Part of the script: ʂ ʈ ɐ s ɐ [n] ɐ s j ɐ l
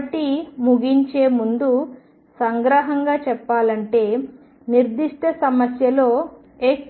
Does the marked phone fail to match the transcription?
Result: yes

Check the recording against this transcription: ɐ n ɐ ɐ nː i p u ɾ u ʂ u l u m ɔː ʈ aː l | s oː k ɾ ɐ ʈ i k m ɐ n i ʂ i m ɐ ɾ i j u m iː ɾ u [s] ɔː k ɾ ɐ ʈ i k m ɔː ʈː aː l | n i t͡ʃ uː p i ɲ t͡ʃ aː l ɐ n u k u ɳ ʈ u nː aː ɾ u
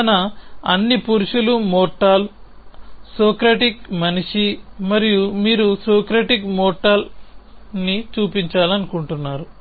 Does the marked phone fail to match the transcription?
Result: no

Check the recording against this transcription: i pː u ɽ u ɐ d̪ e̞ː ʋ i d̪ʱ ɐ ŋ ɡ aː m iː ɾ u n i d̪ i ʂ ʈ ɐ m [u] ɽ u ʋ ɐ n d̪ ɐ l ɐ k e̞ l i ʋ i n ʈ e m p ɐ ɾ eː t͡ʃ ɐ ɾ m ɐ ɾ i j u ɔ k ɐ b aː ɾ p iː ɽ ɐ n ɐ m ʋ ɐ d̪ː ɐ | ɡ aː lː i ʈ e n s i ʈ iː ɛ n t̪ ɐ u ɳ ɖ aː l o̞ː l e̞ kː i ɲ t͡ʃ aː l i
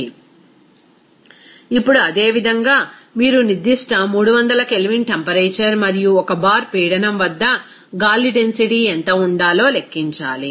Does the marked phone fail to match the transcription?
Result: yes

